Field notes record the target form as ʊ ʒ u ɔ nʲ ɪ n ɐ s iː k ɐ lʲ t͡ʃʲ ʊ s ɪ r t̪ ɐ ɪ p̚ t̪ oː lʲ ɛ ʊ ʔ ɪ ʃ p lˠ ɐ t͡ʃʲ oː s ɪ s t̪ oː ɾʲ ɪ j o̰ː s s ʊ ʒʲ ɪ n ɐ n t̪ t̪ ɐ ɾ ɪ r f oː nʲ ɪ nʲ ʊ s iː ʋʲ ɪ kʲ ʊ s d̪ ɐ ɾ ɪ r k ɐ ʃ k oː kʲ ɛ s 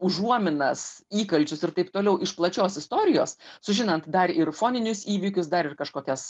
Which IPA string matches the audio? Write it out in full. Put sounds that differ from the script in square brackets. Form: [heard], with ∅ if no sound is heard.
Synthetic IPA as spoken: ʊ ʒ u ɔ [mʲ] ɪ n ɐ s iː k ɐ lʲ t͡ʃʲ ʊ s ɪ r t̪ ɐ ɪ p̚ t̪ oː lʲ ɛ ʊ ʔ ɪ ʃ p lˠ ɐ t͡ʃʲ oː s ɪ s t̪ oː ɾʲ ɪ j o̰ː s s ʊ ʒʲ ɪ n ɐ n t̪ [d̪] ɐ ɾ ɪ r f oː nʲ ɪ nʲ ʊ s iː ʋʲ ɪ kʲ ʊ s d̪ ɐ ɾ ɪ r k ɐ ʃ k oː kʲ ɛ s